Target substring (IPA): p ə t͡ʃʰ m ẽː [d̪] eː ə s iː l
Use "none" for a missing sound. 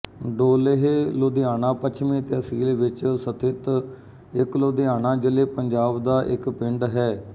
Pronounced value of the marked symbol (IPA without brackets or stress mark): t̪